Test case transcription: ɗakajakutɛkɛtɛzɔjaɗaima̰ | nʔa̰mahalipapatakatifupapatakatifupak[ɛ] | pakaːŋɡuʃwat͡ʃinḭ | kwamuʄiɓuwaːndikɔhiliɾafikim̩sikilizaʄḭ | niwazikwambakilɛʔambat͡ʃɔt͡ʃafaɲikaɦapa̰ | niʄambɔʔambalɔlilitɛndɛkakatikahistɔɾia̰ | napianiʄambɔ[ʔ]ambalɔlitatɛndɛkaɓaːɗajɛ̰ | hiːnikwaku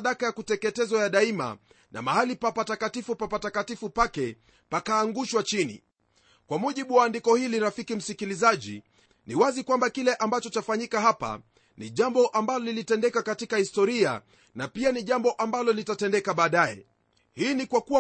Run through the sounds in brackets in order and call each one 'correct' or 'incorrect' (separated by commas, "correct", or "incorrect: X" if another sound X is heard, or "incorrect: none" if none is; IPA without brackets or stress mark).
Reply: correct, correct